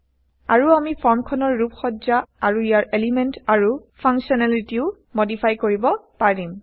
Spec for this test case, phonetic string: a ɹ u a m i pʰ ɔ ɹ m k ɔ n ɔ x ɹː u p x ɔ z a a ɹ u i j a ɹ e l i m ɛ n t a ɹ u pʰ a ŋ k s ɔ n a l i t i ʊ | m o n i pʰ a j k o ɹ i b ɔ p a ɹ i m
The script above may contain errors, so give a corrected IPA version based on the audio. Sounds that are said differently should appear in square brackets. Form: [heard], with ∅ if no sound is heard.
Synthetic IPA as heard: a ɹ u a m i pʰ ɔ ɹ m [kʰ] ɔ n ɔ [∅] ɹː u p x ɔ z a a ɹ u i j a ɹ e l i m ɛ n t a ɹ u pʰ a ŋ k s ɔ n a l i t i ʊ | m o [d] i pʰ a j k o ɹ i b ɔ p a ɹ i m